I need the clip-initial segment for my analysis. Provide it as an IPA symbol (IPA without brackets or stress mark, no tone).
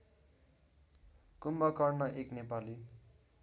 k